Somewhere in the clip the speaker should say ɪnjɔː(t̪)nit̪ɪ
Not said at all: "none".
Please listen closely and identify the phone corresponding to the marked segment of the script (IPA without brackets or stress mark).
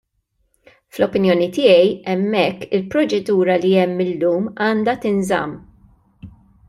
none